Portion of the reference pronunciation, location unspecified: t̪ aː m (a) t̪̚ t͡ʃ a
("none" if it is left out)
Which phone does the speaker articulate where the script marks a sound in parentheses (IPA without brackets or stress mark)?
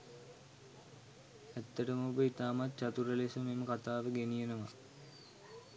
a